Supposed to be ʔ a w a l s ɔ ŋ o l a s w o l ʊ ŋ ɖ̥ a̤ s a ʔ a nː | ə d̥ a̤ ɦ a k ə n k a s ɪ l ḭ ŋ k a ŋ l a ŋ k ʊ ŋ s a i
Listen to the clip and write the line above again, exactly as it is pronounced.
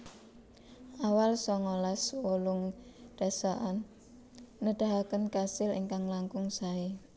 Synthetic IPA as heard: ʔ a w a l s ɔ ŋ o l a s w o l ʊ ŋ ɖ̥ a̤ s a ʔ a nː | ə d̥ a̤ ɦ a k ə n k a s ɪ l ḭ ŋ k a ŋ l a ŋ k ʊ ŋ s a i